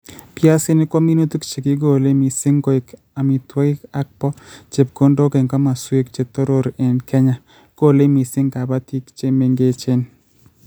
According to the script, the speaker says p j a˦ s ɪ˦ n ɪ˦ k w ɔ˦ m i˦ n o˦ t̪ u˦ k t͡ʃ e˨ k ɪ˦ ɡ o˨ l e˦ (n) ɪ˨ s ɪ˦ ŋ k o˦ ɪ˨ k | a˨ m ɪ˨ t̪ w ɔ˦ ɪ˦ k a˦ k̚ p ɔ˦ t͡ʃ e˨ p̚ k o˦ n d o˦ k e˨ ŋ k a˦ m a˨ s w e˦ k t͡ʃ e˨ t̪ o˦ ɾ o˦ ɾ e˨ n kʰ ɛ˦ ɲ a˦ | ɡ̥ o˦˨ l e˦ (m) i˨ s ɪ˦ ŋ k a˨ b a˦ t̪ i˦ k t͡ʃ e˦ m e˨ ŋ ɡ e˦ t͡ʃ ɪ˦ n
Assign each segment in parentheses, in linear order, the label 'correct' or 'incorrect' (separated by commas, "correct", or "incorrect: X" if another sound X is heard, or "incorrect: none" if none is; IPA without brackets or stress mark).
incorrect: m, correct